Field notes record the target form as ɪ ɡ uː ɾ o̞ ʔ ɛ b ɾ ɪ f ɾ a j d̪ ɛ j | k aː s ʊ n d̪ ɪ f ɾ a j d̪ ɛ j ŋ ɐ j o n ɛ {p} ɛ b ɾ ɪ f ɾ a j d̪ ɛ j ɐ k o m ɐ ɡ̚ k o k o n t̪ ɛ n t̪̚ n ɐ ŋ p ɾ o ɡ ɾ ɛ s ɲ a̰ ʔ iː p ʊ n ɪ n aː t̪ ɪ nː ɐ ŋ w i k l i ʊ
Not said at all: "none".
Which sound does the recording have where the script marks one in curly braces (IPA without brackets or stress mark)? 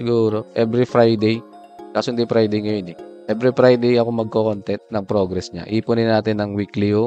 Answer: ʔ